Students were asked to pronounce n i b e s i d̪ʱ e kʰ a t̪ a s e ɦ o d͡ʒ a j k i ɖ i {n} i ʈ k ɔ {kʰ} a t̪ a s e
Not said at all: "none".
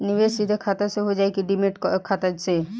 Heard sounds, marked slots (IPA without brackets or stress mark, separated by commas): m, kʰ